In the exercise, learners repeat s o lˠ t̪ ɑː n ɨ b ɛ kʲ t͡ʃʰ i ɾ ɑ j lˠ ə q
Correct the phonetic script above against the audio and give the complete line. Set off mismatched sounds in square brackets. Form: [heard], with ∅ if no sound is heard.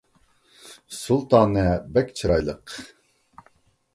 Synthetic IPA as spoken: s [u] lˠ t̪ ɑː n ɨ b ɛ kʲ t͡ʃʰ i ɾ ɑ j lˠ ə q